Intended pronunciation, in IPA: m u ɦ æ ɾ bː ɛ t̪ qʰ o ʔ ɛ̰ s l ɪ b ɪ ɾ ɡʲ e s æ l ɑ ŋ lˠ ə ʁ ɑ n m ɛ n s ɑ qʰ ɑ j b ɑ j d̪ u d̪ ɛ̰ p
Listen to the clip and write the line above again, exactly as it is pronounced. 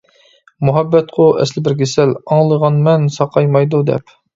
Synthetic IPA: m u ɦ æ bː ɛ t̪ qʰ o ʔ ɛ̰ s l ɪ b ɪ ɾ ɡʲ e s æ l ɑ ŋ lˠ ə ʁ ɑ n m ɛ n s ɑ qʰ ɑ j m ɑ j d̪ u d̪ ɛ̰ p